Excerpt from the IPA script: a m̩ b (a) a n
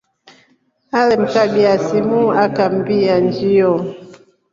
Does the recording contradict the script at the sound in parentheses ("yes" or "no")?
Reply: yes